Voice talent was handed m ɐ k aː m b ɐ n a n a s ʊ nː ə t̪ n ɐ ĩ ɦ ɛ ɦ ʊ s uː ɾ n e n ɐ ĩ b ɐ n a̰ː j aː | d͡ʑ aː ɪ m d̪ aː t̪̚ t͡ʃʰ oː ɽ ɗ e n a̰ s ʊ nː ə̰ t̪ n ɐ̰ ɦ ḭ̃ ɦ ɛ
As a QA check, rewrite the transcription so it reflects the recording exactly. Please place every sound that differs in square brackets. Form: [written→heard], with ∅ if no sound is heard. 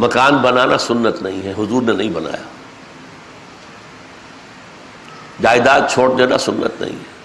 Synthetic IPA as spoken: m ɐ k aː [m→n] b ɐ n a n a s ʊ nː ə t̪ n ɐ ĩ ɦ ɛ ɦ ʊ [s→z] uː ɾ n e n ɐ ĩ b ɐ n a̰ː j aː | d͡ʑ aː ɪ [m→∅] d̪ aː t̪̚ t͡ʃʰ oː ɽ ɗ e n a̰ s ʊ nː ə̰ t̪ n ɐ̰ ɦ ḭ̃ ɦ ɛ